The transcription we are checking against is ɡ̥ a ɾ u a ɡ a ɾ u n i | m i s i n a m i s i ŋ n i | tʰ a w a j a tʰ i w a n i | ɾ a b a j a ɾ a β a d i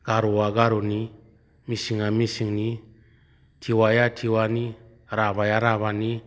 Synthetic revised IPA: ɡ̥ a ɾ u a ɡ a ɾ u n i | m i s i ŋ a m i s i ŋ n i | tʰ i w a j a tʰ i w a n i | ɾ a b a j a ɾ a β a n i